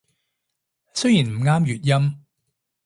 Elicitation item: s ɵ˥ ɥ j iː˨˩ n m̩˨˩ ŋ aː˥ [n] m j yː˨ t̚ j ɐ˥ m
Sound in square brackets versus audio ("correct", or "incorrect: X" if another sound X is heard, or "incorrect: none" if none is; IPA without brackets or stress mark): incorrect: none